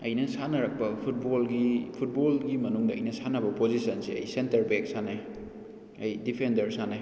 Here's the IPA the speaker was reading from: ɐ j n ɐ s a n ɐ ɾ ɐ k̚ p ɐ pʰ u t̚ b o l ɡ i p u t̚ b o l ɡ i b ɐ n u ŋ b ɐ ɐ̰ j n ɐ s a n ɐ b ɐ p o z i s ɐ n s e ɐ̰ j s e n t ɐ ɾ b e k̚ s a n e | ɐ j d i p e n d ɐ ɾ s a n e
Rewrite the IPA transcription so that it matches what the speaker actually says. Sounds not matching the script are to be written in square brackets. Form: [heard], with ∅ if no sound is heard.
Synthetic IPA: ɐ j n ɐ s a n ɐ ɾ ɐ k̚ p ɐ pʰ u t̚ b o l ɡ i [pʰ] u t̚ b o l ɡ i [m] ɐ n u ŋ [d] ɐ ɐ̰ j n ɐ s a n ɐ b ɐ p o z i s ɐ n s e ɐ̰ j s e n t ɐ ɾ b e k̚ s a n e | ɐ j d i [pʰ] e n d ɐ ɾ s a n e